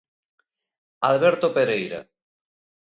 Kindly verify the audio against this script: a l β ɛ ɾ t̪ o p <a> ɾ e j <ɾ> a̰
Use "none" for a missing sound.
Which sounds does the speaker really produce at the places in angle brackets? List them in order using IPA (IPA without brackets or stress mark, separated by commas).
e, ɾ